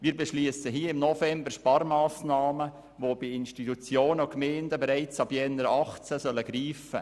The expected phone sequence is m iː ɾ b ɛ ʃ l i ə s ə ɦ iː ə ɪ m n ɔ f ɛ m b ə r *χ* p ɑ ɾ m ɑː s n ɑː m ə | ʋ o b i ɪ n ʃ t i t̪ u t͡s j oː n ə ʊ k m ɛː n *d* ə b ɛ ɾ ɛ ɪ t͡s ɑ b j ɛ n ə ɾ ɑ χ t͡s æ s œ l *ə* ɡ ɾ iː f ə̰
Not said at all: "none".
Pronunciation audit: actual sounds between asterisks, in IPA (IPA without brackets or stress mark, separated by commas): ʃ, d, ə